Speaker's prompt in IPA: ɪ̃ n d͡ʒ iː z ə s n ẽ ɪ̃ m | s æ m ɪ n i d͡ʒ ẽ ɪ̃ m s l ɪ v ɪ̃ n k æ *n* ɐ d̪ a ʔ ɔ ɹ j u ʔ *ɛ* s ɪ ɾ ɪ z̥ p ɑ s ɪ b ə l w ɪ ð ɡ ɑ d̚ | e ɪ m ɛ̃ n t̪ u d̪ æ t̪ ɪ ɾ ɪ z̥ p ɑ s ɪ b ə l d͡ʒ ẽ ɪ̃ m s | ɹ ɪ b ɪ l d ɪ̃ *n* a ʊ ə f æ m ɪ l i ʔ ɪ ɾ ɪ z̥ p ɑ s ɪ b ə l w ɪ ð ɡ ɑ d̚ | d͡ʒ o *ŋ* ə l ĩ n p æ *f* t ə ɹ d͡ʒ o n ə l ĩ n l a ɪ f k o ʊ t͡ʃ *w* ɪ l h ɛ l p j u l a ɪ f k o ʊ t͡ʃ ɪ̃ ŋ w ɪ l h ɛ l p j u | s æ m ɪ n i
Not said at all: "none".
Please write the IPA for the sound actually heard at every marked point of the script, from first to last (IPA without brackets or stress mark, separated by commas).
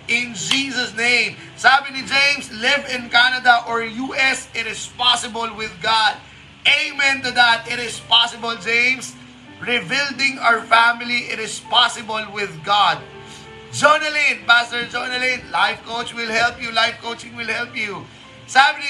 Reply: n, ɛ, ŋ, n, s, w